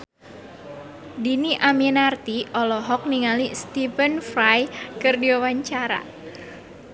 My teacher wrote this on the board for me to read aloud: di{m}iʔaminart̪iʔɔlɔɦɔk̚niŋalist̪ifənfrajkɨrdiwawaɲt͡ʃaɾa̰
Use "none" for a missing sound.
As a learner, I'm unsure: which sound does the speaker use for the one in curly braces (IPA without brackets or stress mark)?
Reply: n